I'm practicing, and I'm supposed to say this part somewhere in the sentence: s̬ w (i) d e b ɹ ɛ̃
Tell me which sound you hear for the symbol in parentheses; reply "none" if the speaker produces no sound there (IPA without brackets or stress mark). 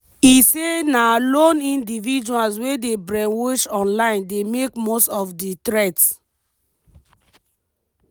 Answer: e